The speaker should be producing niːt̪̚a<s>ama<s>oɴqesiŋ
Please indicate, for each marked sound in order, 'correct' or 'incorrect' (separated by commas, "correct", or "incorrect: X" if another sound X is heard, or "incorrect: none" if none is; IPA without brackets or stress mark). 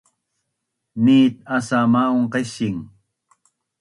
correct, incorrect: none